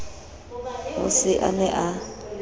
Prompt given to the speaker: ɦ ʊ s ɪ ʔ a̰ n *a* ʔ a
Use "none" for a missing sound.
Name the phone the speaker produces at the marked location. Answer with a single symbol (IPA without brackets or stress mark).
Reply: ɛ